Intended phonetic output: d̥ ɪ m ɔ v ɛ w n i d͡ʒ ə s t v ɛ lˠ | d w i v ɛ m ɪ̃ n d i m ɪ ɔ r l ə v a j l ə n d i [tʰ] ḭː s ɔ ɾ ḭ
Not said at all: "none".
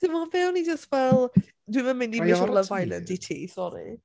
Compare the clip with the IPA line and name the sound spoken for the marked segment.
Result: tʰ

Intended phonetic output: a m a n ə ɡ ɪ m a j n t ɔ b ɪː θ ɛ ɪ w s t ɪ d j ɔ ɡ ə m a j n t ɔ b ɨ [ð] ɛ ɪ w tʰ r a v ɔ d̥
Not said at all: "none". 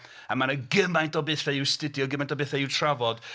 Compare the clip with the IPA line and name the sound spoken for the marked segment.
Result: θ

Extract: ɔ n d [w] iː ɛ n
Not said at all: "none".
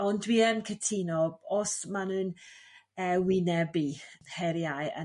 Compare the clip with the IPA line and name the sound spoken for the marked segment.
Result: w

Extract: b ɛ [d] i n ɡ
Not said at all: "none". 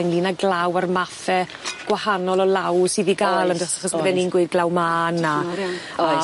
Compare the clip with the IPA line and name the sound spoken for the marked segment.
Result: n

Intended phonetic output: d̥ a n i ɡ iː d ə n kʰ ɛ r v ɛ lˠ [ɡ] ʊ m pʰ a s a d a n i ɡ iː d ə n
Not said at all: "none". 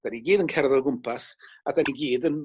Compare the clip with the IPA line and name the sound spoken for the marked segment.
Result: ɡ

